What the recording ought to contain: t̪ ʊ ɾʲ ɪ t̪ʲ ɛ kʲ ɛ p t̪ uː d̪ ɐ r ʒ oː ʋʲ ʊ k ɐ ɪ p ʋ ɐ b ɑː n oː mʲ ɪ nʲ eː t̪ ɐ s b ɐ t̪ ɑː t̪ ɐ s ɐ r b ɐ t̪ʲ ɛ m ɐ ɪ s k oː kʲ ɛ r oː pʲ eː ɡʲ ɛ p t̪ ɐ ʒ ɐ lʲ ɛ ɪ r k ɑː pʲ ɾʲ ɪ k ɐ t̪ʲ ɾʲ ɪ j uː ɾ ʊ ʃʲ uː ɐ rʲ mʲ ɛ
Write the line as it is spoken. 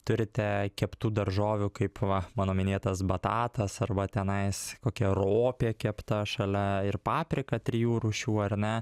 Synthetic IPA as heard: t̪ ʊ ɾʲ ɪ t̪ʲ ɛ kʲ ɛ p t̪ uː d̪ ɐ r ʒ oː ʋʲ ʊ k ɐ ɪ p ʋ ɐ m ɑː n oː mʲ ɪ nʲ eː t̪ ɐ s b ɐ t̪ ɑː t̪ ɐ s ɐ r b ɐ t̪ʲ ɛ n ɐ ɪ s k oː kʲ ɛ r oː pʲ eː kʲ ɛ p t̪ ɐ ʃ ɐ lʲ ɛ ɪ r p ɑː pʲ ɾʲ ɪ k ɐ t̪ʲ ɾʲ ɪ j uː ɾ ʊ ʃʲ uː ɐ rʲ nʲ ɛ